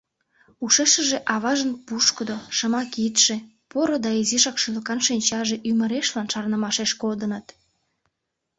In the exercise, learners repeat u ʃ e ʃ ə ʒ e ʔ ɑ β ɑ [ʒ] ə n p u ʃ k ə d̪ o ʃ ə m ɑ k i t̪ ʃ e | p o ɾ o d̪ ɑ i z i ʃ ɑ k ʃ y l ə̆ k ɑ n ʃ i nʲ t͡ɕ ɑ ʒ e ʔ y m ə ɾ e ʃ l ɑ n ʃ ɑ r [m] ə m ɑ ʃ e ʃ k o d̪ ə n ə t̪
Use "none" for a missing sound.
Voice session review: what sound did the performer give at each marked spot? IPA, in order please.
ʒ, n

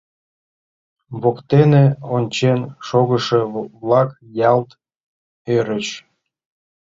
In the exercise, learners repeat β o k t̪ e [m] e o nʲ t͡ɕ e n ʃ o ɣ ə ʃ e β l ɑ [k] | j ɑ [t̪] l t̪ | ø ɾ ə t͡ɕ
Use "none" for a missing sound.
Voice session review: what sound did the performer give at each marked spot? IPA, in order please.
n, k, none

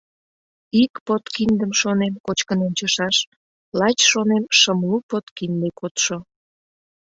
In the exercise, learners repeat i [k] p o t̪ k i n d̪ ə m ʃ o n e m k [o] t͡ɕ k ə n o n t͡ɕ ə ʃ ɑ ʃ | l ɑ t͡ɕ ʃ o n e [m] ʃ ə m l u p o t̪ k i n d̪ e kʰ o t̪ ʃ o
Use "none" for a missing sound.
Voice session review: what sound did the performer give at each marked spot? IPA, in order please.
k, o, m

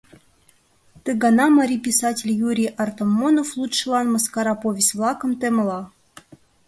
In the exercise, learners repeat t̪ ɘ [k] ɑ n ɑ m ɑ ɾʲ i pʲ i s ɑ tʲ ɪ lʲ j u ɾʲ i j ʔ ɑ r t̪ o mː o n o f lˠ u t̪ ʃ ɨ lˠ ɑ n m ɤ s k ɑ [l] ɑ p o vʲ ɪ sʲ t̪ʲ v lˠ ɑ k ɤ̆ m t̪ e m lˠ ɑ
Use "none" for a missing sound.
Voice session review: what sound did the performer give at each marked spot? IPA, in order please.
ɡ, ɾ

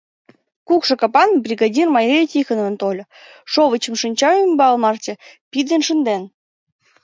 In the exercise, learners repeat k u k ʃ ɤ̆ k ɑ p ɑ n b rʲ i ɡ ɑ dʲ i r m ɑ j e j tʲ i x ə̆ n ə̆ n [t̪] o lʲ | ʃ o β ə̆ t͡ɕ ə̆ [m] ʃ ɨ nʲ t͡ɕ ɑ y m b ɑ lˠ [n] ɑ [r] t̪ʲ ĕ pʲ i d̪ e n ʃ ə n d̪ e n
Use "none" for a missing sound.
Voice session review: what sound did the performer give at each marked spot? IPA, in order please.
t̪, m, m, r

